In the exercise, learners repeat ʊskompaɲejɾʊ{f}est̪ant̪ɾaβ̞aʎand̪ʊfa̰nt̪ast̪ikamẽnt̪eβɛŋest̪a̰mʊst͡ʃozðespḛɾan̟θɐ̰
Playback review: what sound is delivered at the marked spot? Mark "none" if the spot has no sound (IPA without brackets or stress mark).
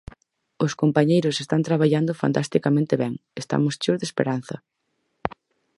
s